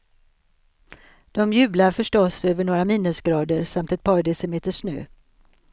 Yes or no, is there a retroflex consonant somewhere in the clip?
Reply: yes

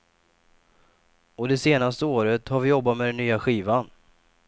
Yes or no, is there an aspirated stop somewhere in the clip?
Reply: no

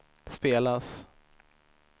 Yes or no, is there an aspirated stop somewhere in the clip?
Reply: no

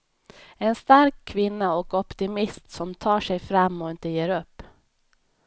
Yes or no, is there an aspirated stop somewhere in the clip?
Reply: yes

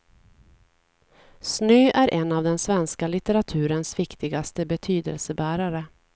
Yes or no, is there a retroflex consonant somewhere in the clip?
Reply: no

